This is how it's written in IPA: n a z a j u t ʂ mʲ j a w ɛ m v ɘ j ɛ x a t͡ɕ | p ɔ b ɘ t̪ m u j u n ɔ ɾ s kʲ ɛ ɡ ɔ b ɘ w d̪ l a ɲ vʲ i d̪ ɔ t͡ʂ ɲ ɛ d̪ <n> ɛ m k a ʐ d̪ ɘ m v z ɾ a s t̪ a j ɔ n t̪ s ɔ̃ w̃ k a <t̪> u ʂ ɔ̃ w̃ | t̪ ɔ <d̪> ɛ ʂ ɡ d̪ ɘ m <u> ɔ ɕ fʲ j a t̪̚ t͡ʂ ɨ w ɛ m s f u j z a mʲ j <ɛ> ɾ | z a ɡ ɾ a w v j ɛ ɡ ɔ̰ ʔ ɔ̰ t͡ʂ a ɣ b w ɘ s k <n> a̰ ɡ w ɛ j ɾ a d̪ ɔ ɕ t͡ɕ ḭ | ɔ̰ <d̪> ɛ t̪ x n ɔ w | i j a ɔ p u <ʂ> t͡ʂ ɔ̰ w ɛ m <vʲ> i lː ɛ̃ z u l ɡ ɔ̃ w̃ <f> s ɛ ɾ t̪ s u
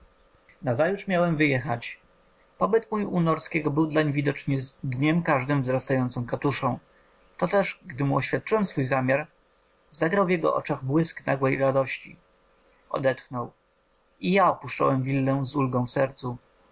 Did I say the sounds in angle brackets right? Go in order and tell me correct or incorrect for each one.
incorrect: ɲ, correct, incorrect: t̪, correct, incorrect: a, correct, correct, correct, correct, correct

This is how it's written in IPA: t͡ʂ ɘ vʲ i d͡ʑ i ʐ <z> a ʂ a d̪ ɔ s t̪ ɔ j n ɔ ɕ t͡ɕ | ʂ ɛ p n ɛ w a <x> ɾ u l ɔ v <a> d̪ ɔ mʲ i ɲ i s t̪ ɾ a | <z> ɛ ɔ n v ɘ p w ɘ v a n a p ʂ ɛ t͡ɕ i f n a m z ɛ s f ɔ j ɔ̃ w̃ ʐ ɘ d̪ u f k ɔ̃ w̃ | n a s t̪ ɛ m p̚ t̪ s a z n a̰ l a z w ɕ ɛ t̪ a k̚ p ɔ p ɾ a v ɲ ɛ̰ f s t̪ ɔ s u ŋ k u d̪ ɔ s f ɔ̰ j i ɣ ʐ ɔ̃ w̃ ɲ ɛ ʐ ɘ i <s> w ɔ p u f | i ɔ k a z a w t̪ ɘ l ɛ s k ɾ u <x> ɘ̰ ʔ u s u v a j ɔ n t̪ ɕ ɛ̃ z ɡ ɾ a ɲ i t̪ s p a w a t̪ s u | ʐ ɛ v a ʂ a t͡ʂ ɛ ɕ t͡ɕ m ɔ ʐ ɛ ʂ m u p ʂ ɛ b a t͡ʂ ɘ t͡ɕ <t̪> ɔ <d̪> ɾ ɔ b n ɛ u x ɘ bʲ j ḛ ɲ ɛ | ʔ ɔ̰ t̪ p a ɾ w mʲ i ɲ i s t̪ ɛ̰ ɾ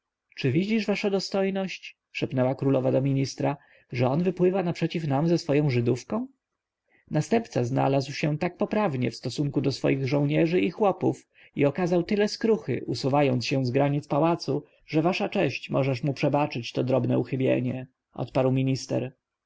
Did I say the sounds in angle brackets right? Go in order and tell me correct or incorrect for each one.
incorrect: v, incorrect: k, correct, incorrect: ʐ, incorrect: x, correct, correct, correct

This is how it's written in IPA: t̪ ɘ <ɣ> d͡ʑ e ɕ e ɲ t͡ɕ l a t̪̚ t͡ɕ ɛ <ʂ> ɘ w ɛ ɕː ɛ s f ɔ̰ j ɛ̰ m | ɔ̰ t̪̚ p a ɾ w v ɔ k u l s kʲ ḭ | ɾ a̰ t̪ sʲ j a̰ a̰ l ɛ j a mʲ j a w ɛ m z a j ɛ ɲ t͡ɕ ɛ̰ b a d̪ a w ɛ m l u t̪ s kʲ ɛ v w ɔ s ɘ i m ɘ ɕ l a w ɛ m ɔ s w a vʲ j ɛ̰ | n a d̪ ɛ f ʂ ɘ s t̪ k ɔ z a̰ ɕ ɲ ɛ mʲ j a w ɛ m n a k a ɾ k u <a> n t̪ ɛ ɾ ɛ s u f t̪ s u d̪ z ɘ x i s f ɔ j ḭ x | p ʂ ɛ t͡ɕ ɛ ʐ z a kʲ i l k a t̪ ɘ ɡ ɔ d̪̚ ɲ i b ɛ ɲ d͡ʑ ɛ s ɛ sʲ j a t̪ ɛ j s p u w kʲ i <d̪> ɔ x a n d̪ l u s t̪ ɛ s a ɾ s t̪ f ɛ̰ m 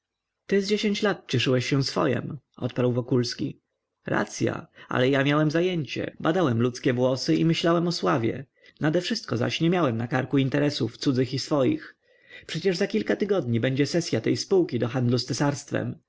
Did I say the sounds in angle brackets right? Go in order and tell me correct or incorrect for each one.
incorrect: z, correct, incorrect: i, correct

